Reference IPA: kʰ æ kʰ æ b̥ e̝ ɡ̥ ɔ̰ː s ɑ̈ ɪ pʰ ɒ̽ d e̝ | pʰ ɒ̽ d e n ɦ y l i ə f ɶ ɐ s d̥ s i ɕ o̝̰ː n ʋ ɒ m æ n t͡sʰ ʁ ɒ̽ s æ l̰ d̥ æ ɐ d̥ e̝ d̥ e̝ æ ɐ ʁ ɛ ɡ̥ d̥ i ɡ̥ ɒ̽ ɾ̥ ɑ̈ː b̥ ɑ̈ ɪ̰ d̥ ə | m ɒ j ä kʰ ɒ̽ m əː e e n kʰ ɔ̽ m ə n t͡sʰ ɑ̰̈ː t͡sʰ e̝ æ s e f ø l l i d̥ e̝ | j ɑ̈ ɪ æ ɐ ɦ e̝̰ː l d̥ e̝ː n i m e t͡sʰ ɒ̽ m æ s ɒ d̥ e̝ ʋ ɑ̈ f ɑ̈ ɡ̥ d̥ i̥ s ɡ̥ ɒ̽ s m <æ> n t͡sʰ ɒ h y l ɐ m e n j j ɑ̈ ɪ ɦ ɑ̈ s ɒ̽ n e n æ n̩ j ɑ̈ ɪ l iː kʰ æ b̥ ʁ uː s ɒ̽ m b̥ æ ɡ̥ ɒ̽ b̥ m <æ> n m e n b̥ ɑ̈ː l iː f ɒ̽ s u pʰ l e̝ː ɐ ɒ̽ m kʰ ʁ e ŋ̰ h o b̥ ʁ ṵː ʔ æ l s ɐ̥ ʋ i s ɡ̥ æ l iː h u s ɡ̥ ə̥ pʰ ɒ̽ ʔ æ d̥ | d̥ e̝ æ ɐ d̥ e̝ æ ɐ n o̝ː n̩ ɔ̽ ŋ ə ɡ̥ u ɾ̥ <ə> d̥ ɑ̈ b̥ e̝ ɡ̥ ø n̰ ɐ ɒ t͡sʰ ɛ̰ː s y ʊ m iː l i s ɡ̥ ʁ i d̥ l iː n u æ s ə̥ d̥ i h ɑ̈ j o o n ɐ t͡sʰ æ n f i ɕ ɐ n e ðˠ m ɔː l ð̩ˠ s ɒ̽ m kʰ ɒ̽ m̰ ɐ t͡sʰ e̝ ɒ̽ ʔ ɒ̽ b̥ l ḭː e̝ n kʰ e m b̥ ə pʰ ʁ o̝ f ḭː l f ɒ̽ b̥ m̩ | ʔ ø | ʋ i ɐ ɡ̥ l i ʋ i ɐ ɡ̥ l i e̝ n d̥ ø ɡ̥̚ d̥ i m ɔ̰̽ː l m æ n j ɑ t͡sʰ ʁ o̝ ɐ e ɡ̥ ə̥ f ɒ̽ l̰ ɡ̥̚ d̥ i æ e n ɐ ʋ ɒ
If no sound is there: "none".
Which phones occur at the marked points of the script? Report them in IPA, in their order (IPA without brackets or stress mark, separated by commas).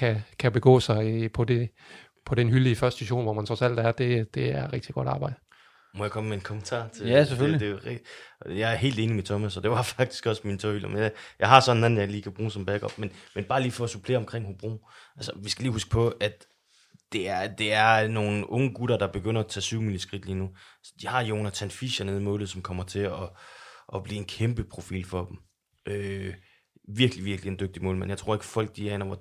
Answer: i, e, ɐ